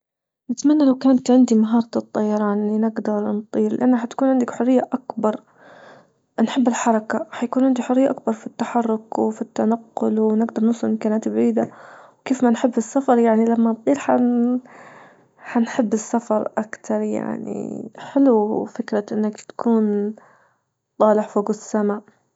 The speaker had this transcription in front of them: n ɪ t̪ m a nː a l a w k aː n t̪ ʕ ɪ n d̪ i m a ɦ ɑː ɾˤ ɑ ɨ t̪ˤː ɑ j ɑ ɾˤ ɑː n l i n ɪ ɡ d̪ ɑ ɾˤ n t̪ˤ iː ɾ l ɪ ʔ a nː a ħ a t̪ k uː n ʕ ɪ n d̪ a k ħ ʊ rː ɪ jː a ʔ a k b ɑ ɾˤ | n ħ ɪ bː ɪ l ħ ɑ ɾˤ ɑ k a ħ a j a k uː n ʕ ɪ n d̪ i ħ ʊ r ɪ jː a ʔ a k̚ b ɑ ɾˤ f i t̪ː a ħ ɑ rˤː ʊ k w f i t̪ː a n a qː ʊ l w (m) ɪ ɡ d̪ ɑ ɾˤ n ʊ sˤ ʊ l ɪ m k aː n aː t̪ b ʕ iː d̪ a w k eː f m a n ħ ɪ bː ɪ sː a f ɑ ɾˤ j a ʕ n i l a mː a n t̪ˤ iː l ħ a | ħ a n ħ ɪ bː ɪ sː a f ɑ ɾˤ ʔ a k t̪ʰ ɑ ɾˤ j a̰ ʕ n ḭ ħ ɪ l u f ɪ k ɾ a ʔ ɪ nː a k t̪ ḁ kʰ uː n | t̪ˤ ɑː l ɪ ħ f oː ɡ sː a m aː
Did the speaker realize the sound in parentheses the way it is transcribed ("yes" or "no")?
no